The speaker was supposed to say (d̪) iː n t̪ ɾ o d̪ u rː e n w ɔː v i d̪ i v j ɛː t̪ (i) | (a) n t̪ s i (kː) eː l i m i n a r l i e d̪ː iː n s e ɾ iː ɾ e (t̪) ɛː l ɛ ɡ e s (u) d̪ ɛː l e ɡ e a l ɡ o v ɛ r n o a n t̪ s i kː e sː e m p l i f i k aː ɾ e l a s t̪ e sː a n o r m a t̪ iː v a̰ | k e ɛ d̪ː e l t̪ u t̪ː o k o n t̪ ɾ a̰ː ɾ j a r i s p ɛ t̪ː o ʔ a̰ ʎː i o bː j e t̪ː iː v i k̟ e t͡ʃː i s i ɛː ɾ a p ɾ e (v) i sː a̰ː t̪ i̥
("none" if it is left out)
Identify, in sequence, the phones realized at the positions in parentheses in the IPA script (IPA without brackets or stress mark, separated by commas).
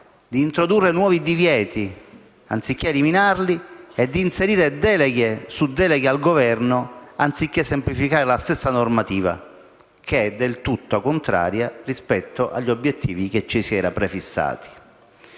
d̪, i, a, kː, d̪, u, f